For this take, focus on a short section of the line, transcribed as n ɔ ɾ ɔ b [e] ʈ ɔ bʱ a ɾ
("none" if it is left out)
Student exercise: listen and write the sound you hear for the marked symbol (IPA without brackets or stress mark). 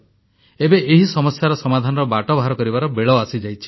a